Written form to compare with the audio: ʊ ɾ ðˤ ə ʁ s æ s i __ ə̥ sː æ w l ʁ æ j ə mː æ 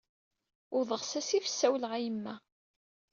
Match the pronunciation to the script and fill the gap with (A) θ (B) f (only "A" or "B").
B